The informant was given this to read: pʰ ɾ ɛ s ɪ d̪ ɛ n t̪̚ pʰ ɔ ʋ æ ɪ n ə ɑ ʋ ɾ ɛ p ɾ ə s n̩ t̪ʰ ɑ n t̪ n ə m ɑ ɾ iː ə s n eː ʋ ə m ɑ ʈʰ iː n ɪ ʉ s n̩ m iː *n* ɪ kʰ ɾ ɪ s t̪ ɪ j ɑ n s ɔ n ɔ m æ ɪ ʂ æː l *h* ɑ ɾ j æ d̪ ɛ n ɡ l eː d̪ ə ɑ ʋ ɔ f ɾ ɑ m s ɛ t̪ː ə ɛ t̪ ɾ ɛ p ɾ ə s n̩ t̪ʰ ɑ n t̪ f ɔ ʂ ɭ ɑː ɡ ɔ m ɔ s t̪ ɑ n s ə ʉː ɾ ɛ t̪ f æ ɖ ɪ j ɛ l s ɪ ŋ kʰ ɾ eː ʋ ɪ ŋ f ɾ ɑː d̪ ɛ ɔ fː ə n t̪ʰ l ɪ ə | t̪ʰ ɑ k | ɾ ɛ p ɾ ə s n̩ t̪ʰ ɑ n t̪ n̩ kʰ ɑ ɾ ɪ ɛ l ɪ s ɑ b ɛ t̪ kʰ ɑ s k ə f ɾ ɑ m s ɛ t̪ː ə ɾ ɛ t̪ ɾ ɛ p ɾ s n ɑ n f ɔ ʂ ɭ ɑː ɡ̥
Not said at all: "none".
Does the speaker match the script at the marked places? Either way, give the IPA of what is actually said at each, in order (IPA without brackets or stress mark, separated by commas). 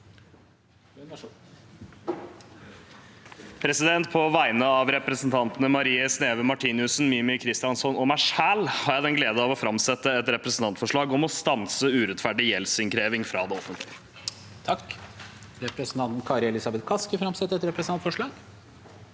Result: m, h